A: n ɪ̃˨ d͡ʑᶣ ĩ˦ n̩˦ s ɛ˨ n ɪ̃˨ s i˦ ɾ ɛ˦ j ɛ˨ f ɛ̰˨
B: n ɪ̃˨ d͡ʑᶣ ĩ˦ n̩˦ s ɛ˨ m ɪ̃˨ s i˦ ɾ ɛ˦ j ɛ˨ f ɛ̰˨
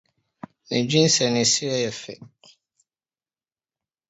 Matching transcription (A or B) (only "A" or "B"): A